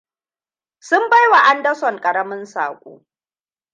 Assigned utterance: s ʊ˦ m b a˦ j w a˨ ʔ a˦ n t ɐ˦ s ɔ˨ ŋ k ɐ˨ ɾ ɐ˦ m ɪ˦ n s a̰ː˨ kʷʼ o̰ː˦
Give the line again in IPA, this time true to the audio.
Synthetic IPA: s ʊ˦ m b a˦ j w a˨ ʔ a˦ n d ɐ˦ s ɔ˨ ŋ kʼ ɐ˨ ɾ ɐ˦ m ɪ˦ n s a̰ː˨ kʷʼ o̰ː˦